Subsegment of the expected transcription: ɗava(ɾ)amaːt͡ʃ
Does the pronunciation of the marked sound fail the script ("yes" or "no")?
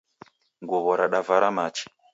no